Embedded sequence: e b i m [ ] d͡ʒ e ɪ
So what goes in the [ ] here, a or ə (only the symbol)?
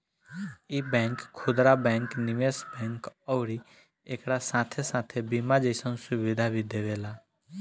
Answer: a